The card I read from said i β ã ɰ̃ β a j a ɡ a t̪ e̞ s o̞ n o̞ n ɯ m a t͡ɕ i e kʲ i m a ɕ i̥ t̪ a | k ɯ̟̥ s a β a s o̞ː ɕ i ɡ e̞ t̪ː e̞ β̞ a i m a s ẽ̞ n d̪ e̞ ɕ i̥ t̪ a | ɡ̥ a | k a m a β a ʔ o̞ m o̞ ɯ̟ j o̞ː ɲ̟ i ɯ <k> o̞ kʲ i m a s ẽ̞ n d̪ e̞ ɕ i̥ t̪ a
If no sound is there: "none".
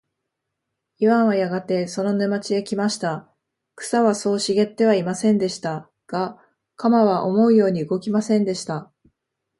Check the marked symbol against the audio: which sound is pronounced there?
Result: ɡ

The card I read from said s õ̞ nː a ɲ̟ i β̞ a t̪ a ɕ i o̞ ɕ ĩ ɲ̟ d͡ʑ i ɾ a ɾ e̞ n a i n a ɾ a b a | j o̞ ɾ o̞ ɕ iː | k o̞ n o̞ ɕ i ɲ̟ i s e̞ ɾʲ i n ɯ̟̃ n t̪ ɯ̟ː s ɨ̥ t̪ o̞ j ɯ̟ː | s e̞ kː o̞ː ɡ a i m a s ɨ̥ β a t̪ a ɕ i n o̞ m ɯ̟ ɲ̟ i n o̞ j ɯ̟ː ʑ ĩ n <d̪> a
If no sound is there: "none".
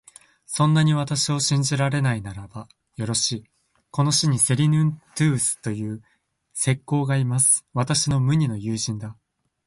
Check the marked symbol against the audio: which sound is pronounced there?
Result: d̪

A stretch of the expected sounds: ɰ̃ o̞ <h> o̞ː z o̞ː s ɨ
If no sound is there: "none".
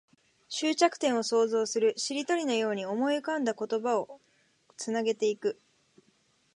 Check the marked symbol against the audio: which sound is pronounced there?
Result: s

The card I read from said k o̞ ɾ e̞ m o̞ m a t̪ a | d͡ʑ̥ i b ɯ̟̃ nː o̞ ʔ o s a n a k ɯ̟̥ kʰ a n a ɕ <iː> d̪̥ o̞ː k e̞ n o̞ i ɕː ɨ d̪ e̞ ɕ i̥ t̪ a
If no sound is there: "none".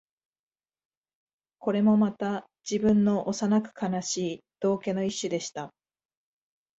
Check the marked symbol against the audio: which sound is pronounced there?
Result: iː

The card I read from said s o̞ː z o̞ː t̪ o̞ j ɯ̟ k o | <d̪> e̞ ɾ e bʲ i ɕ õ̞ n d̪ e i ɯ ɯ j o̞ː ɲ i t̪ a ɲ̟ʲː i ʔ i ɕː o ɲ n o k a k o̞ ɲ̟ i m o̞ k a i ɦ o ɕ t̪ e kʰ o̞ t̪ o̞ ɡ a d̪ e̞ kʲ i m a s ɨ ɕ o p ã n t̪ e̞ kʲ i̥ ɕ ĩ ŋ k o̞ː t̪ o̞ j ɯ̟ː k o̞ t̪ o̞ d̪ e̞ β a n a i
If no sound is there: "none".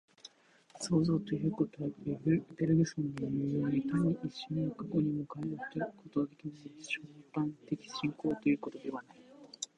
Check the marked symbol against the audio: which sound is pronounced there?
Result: t̪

